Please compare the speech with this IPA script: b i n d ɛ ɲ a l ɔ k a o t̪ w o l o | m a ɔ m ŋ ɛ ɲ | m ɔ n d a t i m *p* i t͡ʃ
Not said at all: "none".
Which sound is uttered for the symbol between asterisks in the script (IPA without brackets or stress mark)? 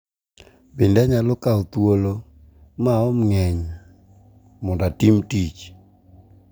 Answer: t